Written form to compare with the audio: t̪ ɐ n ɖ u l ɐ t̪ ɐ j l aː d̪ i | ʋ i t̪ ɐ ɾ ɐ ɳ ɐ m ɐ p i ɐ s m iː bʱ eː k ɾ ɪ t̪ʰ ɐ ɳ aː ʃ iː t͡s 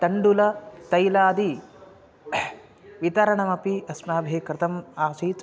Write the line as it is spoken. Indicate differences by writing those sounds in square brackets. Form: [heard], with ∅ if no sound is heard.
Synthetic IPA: t̪ ɐ [ɳ] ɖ u l ɐ t̪ ɐ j l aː d̪ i | ʋ i t̪ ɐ ɾ ɐ ɳ ɐ m ɐ p i ɐ s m [aː] bʱ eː k ɾ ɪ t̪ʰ ɐ [m] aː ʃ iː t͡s